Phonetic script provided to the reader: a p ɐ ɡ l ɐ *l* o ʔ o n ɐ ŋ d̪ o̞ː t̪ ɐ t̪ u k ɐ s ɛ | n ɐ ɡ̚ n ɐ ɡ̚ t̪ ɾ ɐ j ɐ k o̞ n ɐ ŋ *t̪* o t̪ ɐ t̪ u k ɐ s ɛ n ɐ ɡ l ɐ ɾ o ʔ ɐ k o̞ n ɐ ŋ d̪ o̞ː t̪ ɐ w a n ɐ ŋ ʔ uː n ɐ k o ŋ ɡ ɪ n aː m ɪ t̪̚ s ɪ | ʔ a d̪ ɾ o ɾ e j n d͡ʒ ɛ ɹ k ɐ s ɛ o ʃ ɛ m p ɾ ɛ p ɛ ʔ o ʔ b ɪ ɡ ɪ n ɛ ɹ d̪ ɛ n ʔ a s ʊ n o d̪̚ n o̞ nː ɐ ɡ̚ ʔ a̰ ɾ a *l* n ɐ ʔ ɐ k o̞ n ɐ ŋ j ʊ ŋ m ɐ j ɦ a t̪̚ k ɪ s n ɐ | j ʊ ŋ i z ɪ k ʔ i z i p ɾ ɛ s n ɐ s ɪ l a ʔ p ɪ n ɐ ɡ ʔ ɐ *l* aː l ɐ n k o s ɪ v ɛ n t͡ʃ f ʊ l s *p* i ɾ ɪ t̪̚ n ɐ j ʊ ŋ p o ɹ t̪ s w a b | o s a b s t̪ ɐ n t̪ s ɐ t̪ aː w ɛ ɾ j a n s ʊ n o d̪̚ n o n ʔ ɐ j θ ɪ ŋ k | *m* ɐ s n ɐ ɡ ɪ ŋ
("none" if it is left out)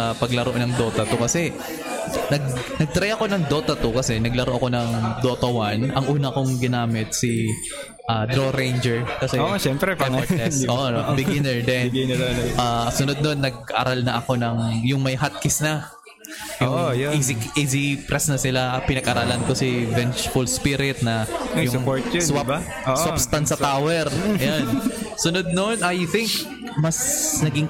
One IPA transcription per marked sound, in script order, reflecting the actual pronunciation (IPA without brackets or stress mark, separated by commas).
ɾ, d̪, l, ɾ, p, m